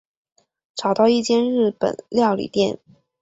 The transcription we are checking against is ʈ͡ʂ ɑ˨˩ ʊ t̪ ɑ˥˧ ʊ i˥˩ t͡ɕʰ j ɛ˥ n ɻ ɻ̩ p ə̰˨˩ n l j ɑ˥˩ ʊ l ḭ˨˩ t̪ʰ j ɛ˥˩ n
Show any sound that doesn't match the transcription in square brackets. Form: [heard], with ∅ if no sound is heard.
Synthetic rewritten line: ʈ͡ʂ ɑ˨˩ ʊ t̪ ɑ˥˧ ʊ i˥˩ [t͡ɕ] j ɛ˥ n ɻ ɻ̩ p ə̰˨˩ n l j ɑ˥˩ ʊ l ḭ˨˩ [t̪] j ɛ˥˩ n